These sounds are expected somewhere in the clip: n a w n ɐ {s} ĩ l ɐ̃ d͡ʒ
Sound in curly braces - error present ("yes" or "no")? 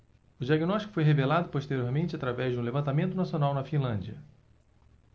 yes